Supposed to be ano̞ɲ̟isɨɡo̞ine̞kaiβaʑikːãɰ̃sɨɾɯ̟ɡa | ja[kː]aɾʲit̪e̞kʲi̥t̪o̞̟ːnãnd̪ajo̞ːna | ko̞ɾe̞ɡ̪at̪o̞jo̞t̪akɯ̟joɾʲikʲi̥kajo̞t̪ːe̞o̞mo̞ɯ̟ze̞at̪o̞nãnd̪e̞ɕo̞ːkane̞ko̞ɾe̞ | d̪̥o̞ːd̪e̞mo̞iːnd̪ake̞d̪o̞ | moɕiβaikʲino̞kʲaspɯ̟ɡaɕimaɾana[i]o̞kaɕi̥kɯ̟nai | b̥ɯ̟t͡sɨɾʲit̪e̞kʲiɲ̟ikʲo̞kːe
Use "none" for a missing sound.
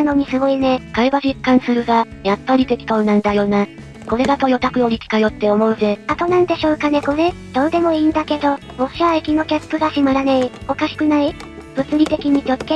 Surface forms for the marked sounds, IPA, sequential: pː, i

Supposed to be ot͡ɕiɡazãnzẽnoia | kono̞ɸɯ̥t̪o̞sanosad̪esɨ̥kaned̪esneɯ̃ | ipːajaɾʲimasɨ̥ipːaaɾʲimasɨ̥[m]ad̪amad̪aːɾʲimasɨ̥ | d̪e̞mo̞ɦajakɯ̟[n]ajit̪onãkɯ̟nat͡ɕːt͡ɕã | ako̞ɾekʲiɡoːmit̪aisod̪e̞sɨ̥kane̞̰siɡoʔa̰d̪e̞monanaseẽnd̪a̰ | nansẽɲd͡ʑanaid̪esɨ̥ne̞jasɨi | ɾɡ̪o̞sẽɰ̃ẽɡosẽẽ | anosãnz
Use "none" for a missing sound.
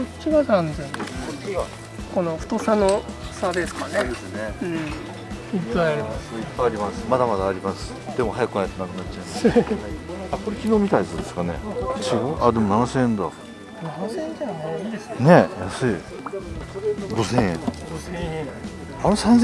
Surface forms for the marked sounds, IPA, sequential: m, n

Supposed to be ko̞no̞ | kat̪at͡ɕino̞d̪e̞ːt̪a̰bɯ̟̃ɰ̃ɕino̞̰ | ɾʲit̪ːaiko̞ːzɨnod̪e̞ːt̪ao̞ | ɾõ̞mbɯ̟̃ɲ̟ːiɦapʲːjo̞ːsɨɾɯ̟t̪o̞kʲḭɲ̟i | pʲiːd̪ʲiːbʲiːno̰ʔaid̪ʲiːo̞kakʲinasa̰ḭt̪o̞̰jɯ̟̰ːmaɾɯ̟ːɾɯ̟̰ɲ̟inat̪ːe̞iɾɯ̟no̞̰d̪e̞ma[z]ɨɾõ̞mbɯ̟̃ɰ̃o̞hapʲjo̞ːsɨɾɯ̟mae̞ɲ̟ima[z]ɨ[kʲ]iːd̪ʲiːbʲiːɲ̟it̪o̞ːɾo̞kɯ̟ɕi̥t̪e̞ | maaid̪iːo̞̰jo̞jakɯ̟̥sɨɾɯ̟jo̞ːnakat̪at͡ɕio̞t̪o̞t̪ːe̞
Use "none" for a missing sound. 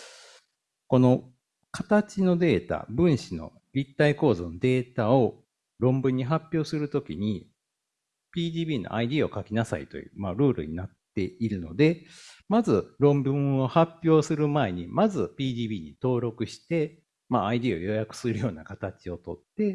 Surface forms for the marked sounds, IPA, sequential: z, z, pʲ

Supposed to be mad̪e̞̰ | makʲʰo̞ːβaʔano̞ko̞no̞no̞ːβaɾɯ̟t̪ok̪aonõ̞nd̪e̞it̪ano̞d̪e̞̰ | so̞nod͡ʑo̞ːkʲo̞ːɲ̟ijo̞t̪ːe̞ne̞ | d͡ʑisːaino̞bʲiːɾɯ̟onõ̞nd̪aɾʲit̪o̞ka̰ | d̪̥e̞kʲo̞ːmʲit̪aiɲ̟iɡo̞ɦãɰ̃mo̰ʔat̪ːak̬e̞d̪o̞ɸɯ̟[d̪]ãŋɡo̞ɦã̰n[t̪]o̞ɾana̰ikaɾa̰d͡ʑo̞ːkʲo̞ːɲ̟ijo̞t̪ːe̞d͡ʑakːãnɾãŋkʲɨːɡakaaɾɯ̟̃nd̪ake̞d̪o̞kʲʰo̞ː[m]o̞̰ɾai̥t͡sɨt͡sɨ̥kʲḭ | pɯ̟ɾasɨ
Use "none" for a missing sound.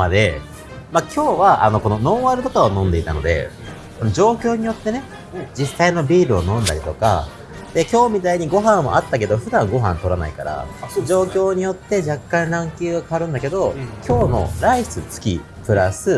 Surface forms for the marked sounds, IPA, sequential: d̪, t̪, n

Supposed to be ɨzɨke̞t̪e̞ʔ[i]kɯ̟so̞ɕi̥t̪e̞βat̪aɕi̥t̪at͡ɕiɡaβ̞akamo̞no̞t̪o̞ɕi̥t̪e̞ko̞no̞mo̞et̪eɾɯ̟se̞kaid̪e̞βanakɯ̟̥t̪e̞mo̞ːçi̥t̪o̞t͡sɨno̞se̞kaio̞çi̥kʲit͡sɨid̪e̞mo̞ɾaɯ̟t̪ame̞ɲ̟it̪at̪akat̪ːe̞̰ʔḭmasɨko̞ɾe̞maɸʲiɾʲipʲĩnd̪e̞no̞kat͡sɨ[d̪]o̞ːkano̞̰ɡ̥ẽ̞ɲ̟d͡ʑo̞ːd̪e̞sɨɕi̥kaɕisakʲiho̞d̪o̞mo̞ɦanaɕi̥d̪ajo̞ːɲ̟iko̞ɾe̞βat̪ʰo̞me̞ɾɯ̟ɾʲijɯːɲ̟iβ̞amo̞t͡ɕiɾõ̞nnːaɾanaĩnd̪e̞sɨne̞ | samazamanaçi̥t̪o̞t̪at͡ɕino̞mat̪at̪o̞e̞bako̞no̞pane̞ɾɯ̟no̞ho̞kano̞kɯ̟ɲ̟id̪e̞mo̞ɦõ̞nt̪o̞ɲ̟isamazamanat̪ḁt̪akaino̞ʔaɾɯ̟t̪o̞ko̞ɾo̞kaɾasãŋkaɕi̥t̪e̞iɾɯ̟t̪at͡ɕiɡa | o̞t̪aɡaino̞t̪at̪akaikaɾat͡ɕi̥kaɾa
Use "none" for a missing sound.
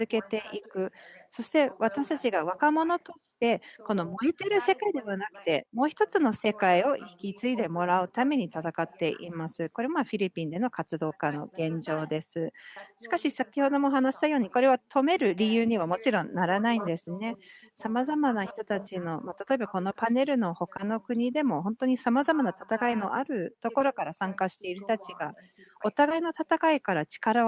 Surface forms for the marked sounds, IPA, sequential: i, d̪

